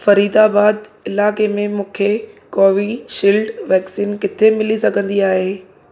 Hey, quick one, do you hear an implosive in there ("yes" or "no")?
no